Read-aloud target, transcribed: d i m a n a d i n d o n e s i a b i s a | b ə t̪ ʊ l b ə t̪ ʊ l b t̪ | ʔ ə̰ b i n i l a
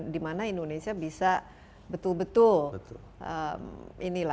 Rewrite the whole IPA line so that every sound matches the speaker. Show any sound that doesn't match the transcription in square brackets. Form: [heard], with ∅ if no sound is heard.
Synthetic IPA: d i m a n a [∅] i n d o n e s i a b i s a | b ə t̪ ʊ l b ə t̪ ʊ l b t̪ | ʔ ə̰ [m] i n i l a